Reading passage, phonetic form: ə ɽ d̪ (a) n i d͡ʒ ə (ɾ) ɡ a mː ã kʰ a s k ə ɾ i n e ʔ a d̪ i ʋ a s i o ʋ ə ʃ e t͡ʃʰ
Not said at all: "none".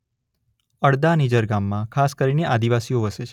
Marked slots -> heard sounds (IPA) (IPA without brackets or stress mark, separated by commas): a, ɾ